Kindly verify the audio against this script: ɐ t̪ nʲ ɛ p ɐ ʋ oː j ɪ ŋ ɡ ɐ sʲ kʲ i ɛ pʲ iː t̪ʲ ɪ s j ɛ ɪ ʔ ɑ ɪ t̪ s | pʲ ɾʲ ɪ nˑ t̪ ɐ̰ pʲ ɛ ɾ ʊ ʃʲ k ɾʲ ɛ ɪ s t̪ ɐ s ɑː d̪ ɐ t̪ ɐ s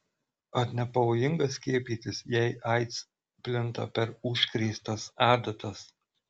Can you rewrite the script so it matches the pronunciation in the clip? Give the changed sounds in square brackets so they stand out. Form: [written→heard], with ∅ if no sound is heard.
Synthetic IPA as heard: ɐ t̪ nʲ ɛ p ɐ ʋ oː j ɪ ŋ ɡ ɐ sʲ kʲ i ɛ pʲ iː t̪ʲ ɪ s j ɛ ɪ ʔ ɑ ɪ t̪ s | pʲ [ɾʲ→lʲ] ɪ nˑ t̪ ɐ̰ pʲ ɛ ɾ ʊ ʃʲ k ɾʲ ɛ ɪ s t̪ ɐ s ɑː d̪ ɐ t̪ ɐ s